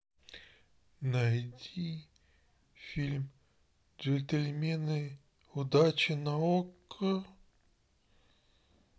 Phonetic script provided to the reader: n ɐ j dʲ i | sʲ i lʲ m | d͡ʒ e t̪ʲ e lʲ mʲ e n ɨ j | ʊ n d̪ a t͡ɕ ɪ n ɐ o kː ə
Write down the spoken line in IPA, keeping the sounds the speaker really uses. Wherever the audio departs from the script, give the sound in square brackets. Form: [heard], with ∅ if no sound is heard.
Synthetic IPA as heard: n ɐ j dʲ i | [fʲ] i lʲ m | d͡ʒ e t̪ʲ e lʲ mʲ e n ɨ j | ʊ [∅] d̪ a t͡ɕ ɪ n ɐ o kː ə